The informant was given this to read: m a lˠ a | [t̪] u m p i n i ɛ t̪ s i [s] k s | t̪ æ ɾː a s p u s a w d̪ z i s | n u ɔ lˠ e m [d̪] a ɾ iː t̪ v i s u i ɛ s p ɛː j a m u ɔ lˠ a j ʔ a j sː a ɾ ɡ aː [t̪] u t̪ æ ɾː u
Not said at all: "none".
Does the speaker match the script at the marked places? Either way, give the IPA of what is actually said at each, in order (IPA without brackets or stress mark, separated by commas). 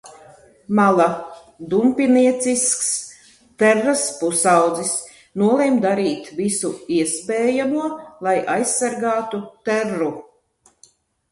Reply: d̪, s, d̪, t̪